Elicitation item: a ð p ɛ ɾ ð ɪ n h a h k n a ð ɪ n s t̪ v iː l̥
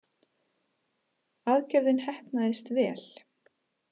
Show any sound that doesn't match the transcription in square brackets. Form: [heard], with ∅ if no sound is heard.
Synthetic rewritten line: a ð [c] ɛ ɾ ð ɪ n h [ɛ] h [p] n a ð ɪ [∅] s t̪ v [ɛː] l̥